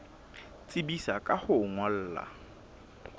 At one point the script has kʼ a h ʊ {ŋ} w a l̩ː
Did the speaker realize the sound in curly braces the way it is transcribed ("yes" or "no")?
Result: yes